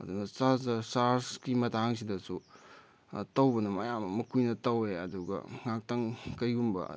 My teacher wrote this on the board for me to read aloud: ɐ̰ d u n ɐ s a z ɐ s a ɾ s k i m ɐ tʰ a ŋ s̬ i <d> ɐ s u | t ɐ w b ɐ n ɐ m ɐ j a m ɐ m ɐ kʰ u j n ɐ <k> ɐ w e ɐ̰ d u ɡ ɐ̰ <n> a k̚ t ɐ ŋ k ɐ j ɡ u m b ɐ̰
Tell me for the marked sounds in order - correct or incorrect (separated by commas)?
correct, incorrect, incorrect